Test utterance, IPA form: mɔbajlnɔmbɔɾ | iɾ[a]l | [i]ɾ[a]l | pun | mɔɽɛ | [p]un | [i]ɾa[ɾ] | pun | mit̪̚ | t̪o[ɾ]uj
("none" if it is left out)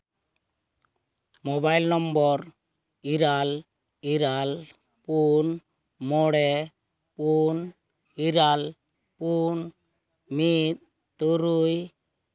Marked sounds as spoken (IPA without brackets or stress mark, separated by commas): a, i, a, p, i, l, ɾ